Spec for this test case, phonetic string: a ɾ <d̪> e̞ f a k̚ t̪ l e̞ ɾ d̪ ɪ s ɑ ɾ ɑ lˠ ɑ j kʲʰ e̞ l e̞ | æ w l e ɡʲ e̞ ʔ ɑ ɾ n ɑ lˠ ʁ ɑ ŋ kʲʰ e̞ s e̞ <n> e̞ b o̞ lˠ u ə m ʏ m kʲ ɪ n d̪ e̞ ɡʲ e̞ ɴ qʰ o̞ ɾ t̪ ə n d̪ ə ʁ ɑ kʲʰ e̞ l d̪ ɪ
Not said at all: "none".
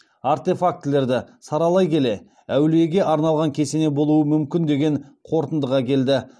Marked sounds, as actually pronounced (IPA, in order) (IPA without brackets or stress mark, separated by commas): t̪, n